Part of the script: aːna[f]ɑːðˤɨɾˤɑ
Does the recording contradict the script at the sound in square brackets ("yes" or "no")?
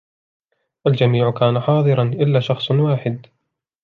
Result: yes